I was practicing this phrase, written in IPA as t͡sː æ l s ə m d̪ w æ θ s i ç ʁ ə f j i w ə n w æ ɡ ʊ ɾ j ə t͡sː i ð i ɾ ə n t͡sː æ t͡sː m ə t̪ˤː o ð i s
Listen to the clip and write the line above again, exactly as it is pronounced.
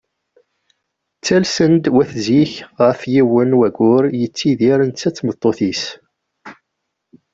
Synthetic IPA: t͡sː æ l s ə n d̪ w æ θ z i ç ʁ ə f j i w ə n w æ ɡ ʊ ɾ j ə t͡sː i ð i ɾ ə n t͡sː æ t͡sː m ə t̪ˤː o θ i s